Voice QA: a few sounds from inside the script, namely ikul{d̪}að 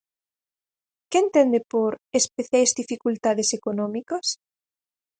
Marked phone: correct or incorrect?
incorrect